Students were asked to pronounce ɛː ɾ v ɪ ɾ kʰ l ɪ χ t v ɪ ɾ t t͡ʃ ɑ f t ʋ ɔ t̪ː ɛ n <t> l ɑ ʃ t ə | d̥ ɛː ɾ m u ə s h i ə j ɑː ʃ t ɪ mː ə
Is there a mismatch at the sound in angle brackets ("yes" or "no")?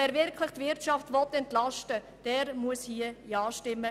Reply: no